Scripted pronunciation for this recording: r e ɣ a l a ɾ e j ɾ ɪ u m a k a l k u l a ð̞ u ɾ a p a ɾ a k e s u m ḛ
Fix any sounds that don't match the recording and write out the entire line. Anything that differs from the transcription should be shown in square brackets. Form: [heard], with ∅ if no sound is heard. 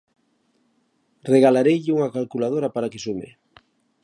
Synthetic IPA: r e ɣ a l a ɾ e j [ʎ] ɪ u [ŋ] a k a l k u l a ð̞ [o] ɾ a p a ɾ a k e s u m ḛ